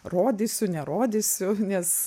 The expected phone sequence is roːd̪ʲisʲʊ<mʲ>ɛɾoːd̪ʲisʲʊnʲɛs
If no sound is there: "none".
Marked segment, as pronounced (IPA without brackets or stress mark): nʲ